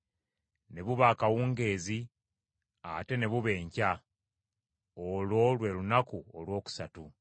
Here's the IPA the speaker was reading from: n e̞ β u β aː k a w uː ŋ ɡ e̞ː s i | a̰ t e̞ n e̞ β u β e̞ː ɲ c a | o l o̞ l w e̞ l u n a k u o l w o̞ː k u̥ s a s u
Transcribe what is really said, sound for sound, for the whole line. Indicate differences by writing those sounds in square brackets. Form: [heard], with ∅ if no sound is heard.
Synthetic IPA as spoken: n e̞ β u β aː k a w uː ŋ ɡ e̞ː [z] i | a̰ t e̞ n e̞ β u β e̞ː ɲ c a | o l o̞ l w e̞ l u n a k u o l w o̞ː k u̥ s a [t] u